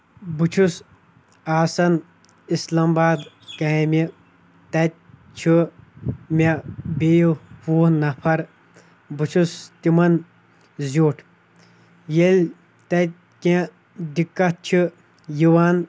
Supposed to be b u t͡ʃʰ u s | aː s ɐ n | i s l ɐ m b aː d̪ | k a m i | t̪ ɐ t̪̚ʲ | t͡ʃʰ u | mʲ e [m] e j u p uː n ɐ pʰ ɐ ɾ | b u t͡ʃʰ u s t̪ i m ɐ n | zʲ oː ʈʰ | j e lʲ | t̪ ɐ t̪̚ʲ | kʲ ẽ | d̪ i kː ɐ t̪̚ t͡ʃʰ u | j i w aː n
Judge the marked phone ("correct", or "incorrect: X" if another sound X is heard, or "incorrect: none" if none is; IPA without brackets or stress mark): incorrect: b